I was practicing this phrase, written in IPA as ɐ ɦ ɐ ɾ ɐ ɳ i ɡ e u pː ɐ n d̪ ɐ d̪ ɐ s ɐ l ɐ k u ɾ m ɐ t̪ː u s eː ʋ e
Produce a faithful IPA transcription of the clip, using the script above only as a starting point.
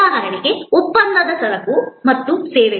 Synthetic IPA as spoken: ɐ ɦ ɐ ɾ ɐ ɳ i ɡ e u pː ɐ n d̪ ɐ d̪ ɐ s ɐ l ɐ k u m ɐ t̪ː u s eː ʋ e